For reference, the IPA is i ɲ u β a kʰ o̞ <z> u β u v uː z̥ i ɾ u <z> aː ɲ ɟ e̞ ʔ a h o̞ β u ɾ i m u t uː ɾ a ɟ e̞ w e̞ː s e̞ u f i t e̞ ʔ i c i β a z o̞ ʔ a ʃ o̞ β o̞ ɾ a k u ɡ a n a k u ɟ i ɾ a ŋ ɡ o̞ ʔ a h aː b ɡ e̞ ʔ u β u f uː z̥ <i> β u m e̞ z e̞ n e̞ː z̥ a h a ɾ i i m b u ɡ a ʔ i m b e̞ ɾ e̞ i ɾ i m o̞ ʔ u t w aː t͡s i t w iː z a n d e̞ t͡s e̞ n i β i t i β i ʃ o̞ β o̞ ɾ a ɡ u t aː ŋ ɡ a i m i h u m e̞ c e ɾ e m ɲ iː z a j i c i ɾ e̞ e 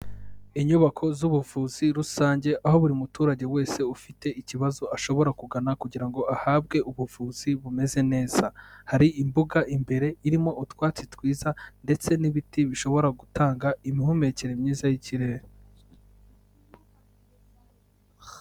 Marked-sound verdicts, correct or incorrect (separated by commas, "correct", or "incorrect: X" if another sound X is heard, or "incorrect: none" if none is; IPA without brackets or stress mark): correct, incorrect: s, correct